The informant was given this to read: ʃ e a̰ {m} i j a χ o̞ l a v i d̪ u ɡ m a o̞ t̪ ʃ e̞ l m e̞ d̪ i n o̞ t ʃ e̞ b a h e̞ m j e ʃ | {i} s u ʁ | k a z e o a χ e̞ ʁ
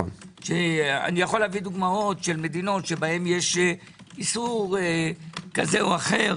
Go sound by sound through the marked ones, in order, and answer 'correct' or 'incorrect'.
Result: incorrect: n, correct

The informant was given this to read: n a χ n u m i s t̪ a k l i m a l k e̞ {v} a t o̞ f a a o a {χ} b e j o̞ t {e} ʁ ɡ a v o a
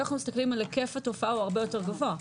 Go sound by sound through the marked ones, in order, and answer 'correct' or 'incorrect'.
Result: incorrect: f, incorrect: ʁ, correct

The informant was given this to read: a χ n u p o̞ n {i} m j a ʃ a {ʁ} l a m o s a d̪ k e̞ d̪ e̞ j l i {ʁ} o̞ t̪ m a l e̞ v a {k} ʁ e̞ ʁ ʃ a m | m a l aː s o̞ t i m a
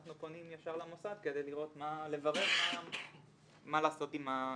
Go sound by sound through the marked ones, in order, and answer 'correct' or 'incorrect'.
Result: correct, correct, correct, incorrect: none

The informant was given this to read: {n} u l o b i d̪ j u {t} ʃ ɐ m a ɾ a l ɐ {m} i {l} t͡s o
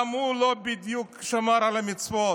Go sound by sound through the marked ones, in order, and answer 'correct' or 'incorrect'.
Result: incorrect: m, incorrect: k, correct, incorrect: none

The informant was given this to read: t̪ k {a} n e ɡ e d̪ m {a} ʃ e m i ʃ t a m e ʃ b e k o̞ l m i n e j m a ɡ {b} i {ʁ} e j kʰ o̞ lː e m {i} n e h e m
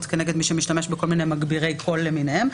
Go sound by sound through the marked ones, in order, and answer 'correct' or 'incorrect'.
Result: incorrect: e, incorrect: i, correct, correct, correct

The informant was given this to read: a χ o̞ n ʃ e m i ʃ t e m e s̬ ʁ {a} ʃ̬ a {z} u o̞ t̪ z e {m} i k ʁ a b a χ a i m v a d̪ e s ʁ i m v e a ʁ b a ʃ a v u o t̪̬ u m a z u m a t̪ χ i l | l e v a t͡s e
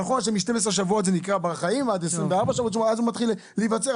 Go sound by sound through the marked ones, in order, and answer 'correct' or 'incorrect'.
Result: incorrect: e, incorrect: v, incorrect: n

